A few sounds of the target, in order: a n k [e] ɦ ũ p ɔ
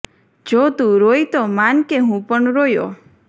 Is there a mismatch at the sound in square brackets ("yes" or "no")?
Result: no